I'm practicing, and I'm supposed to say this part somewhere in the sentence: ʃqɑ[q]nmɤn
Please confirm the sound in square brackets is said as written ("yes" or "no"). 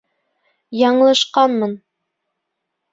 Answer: no